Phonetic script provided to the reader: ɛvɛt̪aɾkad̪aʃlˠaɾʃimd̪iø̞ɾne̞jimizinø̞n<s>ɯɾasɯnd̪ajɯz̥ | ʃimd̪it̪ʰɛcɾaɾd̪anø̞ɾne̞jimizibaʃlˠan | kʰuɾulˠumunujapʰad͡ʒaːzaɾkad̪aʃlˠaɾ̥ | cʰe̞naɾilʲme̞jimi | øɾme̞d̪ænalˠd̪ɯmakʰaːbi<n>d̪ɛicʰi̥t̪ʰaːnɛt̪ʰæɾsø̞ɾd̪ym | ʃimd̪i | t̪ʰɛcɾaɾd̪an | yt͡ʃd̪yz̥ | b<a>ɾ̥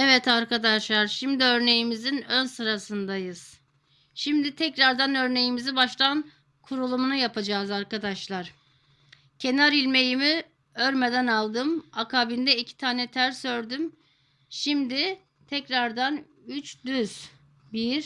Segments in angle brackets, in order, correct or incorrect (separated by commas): correct, correct, incorrect